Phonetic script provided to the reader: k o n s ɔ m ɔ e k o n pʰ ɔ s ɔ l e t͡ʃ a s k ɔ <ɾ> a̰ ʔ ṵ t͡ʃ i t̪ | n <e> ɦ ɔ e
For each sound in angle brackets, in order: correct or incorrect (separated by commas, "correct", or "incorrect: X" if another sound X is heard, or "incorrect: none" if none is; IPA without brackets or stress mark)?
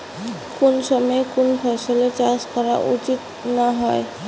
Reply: correct, incorrect: a